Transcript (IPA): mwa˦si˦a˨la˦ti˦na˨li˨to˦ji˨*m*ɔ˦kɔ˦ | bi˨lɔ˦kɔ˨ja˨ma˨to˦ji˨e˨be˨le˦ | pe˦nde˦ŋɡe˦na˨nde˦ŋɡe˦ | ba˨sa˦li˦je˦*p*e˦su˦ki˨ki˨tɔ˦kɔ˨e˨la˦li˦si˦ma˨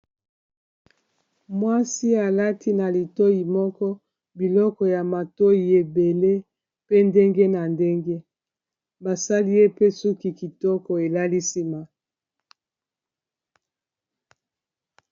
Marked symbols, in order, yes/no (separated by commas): yes, yes